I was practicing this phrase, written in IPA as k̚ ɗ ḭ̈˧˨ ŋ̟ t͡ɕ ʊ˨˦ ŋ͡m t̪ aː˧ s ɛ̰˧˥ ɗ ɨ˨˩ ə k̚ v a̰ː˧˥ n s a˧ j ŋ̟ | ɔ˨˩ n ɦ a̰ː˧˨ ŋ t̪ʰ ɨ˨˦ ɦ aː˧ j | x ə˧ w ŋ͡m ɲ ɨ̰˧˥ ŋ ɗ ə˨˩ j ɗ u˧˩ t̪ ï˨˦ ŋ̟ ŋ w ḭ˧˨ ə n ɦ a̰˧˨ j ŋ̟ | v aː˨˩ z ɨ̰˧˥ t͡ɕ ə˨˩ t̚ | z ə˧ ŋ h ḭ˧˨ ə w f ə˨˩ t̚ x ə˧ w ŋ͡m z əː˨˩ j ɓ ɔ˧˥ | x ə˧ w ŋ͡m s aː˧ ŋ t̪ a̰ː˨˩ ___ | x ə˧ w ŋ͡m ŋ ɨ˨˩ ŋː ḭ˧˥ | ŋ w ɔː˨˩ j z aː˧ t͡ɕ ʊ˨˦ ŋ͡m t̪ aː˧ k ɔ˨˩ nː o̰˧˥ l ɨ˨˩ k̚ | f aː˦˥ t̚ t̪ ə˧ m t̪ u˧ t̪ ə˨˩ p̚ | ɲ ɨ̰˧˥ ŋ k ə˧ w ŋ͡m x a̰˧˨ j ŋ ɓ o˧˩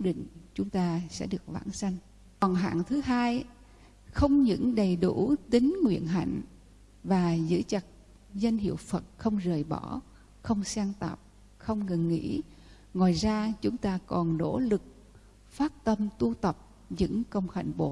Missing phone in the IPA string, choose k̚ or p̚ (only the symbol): p̚